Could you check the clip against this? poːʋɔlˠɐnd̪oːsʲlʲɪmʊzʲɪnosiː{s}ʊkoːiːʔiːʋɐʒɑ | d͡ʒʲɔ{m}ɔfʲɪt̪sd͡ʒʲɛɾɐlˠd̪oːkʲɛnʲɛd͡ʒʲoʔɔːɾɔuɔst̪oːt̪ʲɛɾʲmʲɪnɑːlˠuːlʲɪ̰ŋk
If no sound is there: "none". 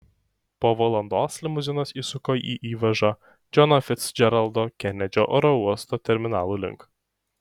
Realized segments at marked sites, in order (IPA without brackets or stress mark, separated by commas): s, n